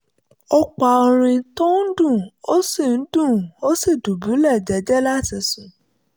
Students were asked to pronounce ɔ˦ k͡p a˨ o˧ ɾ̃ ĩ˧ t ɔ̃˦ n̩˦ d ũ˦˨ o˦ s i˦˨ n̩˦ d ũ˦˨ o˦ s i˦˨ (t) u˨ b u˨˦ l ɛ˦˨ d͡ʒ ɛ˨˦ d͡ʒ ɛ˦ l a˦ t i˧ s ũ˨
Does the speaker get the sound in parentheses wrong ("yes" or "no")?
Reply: yes